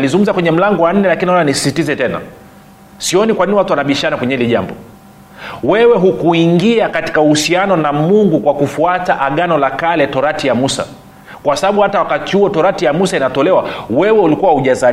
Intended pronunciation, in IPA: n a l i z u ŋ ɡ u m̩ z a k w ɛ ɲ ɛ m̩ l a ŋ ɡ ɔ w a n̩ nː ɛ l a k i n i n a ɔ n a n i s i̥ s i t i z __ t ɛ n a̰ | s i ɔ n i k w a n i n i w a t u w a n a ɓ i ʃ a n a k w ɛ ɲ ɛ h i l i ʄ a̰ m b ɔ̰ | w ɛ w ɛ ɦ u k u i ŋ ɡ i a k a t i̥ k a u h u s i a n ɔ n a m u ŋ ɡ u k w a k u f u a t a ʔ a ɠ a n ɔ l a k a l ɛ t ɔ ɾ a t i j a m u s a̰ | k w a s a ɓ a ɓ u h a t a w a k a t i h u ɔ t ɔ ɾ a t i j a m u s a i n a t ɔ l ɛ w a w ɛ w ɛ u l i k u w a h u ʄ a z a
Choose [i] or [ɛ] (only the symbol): ɛ